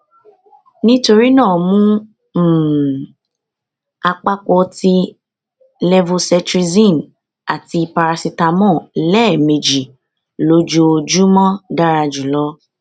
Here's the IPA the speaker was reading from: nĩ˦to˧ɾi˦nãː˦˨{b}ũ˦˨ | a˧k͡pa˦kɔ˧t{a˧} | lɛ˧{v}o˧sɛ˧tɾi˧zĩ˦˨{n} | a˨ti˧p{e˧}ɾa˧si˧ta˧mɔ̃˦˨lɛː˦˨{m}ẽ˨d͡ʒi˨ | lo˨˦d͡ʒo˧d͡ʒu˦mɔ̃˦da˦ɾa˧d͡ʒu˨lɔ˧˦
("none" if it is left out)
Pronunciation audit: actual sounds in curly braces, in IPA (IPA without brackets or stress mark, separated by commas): m, i˧, v, n, a˧, m